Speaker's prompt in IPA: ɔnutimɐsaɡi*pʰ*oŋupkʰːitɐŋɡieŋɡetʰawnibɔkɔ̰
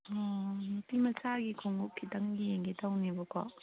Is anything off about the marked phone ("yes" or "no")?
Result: yes